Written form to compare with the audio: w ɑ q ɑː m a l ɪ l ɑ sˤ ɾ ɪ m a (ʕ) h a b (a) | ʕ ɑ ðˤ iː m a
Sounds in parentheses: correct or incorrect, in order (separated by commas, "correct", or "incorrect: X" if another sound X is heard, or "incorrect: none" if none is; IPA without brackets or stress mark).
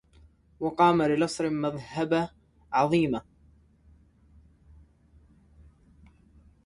incorrect: ð, correct